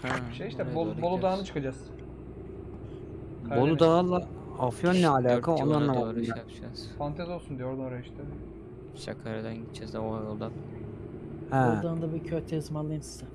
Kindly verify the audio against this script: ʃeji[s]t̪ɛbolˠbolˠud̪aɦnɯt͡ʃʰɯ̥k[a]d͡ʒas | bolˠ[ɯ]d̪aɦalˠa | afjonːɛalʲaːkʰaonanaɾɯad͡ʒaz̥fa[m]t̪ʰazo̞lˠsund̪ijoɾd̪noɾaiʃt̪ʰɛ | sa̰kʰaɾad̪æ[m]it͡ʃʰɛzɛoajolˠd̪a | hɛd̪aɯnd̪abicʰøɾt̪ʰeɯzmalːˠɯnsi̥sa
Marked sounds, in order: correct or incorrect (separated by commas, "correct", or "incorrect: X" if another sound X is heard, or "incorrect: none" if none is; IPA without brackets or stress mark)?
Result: incorrect: ʃ, correct, incorrect: u, incorrect: n, incorrect: n